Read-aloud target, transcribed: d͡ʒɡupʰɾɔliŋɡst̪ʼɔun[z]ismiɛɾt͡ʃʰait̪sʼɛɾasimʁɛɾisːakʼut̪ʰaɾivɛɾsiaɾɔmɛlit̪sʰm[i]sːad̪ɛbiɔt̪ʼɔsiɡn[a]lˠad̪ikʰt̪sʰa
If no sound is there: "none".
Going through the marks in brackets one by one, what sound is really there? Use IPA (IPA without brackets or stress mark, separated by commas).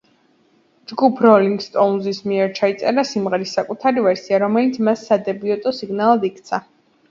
z, a, a